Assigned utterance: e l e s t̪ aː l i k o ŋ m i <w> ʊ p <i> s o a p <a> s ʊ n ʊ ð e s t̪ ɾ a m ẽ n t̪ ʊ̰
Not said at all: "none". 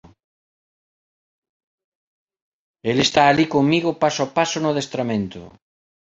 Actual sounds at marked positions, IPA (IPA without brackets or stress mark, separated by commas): ɣ, a, a